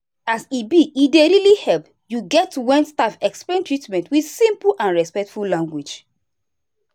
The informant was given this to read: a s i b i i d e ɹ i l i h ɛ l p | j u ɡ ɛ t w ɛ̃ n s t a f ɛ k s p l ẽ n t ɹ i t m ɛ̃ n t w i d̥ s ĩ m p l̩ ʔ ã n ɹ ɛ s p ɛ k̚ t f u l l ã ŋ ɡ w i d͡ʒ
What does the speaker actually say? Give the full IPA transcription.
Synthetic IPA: a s i b i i d e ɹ i l i h ɛ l p | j u ɡ ɛ t w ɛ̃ n s t a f ɛ k s p l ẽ n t ɹ i t m ɛ̃ n t w i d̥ s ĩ m p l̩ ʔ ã n ɹ ɛ s p ɛ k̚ t f u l l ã ŋ ɡ w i d͡ʒ